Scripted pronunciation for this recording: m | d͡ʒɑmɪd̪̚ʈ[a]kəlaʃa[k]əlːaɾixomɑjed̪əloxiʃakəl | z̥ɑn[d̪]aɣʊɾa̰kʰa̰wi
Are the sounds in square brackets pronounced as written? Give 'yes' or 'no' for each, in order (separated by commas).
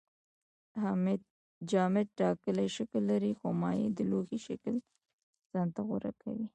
no, yes, no